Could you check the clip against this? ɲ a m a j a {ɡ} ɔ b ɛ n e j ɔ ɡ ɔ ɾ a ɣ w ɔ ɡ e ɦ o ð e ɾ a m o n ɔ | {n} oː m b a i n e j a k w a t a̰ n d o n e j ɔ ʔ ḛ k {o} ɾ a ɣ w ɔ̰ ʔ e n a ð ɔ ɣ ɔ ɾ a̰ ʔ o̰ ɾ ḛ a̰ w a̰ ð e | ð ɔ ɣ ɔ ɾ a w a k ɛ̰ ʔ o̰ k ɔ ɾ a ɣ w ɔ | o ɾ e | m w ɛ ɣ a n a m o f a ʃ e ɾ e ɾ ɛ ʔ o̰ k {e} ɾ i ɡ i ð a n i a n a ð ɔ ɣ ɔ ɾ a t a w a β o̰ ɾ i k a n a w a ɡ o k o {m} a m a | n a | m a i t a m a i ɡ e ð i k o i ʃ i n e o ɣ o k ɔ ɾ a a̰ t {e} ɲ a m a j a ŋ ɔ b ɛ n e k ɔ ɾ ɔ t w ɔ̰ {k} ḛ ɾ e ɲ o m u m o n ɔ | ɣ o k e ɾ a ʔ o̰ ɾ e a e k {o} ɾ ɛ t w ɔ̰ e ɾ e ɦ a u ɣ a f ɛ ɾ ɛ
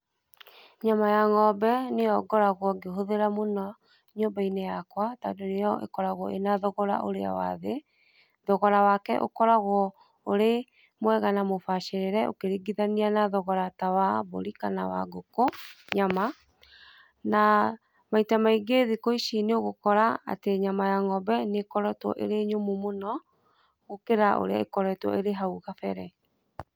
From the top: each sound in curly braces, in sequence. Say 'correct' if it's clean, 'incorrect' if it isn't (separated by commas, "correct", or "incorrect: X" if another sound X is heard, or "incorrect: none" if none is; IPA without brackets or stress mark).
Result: incorrect: ŋ, incorrect: ɲ, incorrect: ɔ, correct, incorrect: ɲ, correct, incorrect: ʔ, incorrect: ɔ